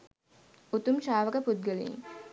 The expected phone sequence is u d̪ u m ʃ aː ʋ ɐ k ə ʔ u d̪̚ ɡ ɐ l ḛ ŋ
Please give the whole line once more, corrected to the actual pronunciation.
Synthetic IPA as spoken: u t̪ u m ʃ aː ʋ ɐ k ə p u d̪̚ ɡ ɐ l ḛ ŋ